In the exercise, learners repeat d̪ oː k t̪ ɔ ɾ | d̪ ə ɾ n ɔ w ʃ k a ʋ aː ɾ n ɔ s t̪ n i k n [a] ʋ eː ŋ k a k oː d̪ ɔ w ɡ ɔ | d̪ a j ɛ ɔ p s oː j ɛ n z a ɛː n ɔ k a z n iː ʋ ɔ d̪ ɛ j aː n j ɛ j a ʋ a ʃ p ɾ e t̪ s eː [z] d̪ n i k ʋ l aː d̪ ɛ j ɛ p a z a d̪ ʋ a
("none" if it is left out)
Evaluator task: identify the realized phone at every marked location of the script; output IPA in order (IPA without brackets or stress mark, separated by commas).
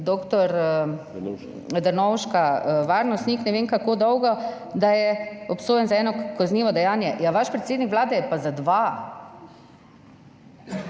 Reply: ɛ, none